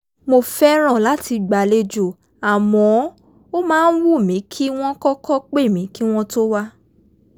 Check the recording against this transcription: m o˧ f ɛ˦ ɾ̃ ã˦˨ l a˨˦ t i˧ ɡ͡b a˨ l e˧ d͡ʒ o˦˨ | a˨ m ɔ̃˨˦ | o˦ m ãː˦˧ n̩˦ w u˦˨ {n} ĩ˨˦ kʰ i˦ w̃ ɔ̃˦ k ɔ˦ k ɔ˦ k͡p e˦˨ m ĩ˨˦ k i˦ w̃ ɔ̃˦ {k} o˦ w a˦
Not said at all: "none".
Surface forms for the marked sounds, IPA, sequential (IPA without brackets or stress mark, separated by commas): m, t